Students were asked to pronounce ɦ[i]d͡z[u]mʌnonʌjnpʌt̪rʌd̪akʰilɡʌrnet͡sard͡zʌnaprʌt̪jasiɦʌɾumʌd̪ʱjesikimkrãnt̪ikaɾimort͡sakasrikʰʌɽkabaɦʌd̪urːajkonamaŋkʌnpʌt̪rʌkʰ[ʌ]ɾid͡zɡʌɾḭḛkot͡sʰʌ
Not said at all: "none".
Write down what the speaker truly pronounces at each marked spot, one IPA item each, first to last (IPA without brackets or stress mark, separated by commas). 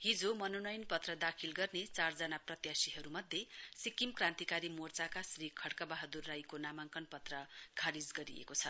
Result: i, o, a